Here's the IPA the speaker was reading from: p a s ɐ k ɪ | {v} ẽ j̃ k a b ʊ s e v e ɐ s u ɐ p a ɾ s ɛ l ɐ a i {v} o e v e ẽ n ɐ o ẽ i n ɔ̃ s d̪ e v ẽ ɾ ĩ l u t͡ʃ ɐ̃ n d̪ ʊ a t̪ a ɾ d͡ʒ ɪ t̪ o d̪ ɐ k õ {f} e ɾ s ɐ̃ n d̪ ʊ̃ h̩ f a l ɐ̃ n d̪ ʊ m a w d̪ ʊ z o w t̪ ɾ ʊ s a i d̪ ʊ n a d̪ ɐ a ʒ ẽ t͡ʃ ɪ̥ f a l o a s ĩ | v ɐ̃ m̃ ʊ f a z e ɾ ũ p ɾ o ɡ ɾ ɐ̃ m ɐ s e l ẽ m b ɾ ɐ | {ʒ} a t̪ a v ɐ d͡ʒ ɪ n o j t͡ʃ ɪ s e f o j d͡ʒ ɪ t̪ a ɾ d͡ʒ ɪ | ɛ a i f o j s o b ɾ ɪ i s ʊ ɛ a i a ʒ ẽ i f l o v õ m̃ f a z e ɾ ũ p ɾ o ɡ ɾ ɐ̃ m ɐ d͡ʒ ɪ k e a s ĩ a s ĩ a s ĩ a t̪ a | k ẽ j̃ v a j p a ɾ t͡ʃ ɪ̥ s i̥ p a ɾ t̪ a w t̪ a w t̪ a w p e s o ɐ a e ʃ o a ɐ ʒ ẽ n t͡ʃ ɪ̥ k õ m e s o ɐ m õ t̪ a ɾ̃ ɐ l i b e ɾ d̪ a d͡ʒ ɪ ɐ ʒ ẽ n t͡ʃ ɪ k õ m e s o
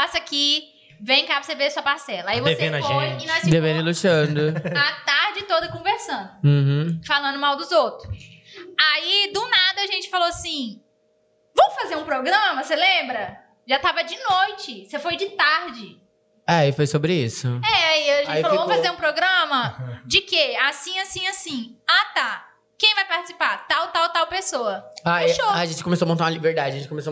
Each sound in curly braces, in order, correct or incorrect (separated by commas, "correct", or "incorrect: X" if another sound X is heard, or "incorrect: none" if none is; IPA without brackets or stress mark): correct, correct, incorrect: v, correct